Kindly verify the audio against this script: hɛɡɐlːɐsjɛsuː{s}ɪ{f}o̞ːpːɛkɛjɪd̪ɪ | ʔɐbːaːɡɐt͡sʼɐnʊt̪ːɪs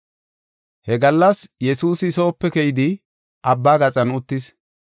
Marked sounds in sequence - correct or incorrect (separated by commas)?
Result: correct, incorrect